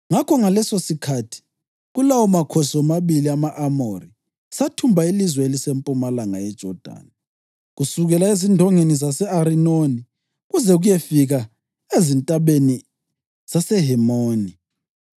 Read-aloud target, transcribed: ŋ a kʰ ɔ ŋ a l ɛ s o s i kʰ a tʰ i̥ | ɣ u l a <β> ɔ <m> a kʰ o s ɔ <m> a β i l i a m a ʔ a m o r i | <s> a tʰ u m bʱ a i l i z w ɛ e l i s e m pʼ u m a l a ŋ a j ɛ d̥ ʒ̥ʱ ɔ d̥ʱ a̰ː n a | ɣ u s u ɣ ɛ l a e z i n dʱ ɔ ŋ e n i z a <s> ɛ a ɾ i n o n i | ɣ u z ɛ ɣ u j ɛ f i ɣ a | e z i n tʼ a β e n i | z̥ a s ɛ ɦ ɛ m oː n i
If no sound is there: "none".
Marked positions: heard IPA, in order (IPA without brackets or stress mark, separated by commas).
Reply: w, m, m, s, s